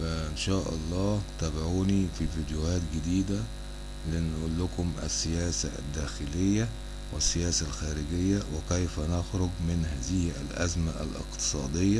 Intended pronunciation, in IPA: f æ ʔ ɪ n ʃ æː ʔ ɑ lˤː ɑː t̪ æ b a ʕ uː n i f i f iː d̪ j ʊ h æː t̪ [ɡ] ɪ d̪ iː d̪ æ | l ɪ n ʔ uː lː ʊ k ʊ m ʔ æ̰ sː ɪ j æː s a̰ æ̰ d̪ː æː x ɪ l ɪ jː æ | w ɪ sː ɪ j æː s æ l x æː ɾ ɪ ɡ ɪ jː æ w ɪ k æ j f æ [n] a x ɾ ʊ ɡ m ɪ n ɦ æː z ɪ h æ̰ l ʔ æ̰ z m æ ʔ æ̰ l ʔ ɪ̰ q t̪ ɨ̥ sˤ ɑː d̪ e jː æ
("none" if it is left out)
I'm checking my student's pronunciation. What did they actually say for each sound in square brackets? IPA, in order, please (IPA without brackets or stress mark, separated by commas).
ɡ, n